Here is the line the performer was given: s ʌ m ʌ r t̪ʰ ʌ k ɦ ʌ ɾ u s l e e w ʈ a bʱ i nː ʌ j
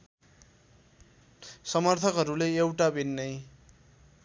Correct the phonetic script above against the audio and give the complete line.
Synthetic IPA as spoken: s ʌ m ʌ r t̪ʰ ʌ k ɦ ʌ ɾ u l e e w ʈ a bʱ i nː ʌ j